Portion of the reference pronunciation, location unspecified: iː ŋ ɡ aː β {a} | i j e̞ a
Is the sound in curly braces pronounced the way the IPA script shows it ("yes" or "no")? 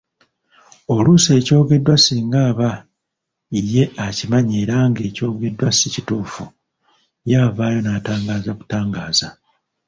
yes